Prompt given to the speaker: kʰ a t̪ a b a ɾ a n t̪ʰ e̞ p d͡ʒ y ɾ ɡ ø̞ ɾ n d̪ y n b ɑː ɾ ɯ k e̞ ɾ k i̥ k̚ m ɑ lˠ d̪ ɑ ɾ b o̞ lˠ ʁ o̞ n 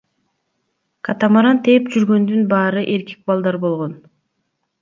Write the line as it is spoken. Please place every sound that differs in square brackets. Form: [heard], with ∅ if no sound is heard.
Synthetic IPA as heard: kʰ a t̪ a [m] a ɾ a n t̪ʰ e̞ p d͡ʒ y ɾ ɡ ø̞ [∅] n d̪ y n b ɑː ɾ ɯ [ʔ] e̞ ɾ k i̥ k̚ [b] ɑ lˠ d̪ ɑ ɾ b o̞ lˠ ʁ o̞ n